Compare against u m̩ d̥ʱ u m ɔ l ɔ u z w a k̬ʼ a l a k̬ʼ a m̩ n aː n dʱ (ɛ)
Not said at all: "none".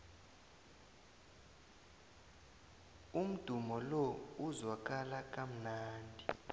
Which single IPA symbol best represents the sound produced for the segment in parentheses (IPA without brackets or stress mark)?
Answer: i